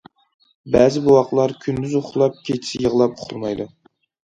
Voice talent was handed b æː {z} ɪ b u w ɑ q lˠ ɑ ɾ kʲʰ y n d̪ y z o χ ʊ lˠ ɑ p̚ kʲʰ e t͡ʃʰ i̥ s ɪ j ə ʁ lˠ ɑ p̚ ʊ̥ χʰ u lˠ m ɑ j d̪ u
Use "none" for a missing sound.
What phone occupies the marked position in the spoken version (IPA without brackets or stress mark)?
z